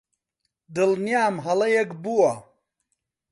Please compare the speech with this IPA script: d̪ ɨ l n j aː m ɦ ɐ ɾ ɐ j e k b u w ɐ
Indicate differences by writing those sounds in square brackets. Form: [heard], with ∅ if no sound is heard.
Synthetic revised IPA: d̪ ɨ l n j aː m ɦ ɐ [l] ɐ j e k b u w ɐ